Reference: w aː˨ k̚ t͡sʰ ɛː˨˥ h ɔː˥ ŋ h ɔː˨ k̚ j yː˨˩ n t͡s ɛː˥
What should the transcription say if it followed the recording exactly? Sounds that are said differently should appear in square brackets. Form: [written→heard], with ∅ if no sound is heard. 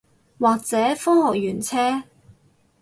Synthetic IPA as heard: w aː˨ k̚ [t͡sʰ→t͡s] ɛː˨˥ [h→f] ɔː˥ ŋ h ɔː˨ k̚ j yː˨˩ n [t͡s→t͡sʰ] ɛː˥